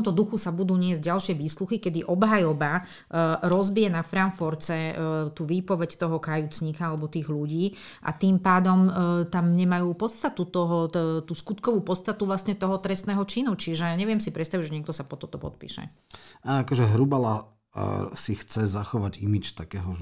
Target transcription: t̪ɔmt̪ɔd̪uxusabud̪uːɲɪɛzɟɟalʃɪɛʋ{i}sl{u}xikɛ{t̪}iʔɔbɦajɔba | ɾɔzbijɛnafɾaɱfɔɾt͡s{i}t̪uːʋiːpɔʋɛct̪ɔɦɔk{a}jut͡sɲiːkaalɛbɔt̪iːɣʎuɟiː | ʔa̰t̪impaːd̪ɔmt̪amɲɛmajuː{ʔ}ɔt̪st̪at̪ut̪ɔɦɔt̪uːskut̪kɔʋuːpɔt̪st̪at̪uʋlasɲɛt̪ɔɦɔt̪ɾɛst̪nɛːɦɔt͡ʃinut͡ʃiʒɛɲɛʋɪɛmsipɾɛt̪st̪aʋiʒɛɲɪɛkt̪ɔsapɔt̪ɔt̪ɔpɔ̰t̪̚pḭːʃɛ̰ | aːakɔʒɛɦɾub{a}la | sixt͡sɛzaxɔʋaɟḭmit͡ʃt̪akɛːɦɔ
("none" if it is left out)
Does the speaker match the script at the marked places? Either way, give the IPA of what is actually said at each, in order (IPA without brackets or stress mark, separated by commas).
iː, u, d̪, ɛ, a, p, a